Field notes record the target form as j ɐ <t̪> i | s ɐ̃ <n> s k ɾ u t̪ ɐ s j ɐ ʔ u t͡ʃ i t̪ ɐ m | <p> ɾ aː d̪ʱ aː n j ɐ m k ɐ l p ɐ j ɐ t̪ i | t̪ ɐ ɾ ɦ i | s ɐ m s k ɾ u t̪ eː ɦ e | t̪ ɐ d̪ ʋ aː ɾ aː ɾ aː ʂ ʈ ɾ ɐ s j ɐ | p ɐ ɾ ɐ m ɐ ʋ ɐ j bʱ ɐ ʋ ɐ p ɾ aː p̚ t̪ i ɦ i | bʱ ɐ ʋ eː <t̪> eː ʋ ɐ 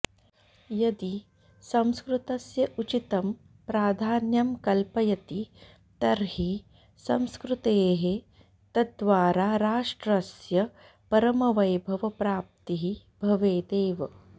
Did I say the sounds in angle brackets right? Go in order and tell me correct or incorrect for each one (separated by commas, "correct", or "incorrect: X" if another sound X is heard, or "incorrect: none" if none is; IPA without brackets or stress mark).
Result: incorrect: d̪, incorrect: m, correct, incorrect: d̪